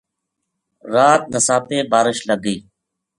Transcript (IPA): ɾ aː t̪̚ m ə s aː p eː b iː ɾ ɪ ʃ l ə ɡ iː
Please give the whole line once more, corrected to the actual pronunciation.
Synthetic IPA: ɾ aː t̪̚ n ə s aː p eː b aː ɾ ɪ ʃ l ə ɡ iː